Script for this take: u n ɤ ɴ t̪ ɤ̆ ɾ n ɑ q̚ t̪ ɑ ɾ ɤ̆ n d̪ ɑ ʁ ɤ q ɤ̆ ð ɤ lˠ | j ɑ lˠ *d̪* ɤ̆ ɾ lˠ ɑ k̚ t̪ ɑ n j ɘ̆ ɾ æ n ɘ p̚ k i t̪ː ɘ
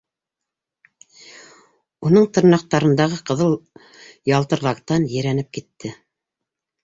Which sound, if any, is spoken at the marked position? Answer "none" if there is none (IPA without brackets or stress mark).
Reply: t̪